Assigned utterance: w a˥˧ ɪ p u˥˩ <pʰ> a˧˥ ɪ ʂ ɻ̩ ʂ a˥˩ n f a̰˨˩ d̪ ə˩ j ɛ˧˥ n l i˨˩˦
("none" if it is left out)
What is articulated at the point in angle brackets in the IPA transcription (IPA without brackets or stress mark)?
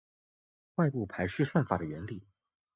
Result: pʰ